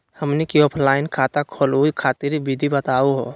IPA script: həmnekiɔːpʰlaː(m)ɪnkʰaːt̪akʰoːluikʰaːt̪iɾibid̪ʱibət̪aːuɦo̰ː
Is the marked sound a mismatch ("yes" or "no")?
yes